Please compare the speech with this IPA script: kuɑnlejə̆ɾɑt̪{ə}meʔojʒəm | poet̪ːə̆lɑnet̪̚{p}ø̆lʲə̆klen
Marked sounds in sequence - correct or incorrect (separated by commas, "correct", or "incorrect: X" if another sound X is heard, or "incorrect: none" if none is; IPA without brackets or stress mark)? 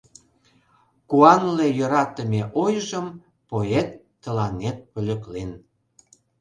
correct, correct